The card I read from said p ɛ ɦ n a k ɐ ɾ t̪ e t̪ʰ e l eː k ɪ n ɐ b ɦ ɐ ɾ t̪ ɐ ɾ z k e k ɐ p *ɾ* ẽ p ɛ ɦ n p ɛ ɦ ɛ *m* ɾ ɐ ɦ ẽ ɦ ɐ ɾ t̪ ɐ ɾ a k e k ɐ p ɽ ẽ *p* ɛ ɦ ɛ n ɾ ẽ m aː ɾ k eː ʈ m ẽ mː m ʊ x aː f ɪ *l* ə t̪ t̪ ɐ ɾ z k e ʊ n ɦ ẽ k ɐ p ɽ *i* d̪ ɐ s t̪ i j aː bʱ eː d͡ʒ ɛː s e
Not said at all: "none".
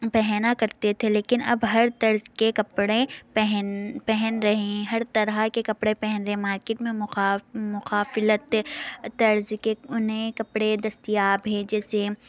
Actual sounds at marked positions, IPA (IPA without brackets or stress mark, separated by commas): ɽ, n, p, l, e